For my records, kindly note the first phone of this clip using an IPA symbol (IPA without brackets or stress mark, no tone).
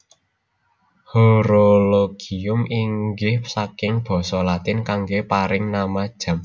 h